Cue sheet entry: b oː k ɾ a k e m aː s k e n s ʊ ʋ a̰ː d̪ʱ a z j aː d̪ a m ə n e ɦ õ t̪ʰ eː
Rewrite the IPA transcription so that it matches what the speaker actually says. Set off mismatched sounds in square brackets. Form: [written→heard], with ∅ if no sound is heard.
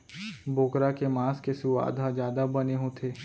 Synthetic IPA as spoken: b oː k ɾ a k e m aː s k e [n→∅] s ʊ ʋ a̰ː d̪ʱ a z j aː d̪ a [m→b] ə n e ɦ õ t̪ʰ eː